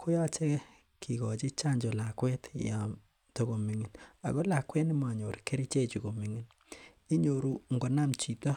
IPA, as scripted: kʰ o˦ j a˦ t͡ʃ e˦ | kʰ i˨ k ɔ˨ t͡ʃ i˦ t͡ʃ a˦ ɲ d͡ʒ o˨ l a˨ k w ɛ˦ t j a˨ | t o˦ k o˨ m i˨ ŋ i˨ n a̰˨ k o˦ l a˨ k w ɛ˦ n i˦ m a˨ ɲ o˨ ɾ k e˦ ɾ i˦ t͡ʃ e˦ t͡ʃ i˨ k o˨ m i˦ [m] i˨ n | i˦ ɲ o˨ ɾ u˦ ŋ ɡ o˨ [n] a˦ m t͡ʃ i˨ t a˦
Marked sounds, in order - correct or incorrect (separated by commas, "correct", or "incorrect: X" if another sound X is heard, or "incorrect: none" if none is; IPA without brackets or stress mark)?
incorrect: ŋ, correct